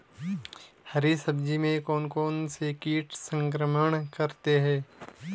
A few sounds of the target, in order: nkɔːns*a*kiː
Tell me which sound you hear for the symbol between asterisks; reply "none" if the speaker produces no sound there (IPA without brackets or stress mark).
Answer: e